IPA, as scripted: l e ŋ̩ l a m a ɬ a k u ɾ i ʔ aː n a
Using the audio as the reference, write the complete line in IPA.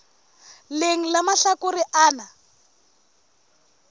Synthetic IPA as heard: l e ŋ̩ l a m a ɬ a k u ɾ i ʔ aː n a